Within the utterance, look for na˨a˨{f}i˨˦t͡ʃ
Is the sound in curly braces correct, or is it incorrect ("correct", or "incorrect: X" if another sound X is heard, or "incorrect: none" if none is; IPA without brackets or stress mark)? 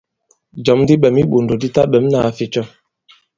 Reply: correct